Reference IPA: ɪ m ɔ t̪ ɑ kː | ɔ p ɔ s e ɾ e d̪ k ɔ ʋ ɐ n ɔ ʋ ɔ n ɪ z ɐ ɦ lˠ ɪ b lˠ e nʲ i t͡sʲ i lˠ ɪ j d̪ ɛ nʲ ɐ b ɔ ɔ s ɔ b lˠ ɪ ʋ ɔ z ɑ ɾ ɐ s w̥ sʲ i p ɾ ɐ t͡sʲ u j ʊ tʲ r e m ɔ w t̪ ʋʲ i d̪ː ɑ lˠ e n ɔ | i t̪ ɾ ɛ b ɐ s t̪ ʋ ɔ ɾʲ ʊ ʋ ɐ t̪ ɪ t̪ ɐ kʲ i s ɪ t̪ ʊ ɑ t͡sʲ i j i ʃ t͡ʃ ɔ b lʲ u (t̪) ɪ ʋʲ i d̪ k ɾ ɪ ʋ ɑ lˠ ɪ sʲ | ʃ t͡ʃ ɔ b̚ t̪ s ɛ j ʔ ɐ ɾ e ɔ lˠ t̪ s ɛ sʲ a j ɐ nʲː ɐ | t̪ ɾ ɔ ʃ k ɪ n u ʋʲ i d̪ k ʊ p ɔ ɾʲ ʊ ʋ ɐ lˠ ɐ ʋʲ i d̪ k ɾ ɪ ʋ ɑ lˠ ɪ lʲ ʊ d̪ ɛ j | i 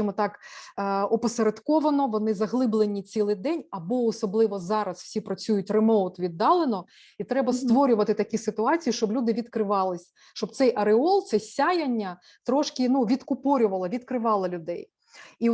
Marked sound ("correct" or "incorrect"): incorrect